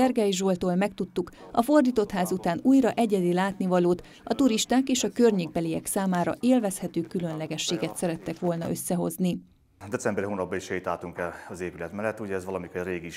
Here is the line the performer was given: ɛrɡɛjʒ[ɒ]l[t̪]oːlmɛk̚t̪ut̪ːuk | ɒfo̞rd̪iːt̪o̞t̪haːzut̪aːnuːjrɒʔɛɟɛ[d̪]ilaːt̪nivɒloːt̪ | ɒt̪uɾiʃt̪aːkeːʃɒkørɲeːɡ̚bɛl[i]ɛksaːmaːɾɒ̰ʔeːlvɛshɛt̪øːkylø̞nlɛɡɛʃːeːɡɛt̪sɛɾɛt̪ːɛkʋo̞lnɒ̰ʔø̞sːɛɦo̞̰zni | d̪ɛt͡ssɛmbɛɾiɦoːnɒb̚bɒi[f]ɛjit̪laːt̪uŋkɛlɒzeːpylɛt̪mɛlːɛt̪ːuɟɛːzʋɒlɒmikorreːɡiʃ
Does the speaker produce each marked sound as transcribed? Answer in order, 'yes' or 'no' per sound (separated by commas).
no, yes, yes, yes, no